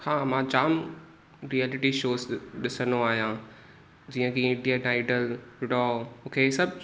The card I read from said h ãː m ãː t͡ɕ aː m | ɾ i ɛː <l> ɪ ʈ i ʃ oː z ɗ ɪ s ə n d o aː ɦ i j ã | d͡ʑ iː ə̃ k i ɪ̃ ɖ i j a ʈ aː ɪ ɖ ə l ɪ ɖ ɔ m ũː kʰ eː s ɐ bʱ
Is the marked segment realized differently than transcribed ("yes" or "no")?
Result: no